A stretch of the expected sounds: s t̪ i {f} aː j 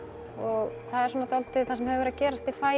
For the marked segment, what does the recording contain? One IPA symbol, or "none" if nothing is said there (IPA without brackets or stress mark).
f